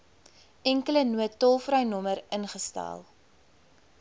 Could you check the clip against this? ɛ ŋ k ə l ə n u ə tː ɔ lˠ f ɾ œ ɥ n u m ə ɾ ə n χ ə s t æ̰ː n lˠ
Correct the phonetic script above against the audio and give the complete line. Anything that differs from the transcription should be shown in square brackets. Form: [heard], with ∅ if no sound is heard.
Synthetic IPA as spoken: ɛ ŋ k ə l ə n u ə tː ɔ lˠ f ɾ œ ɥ n [ɔ] m ə ɾ ə n χ ə s t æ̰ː [∅] lˠ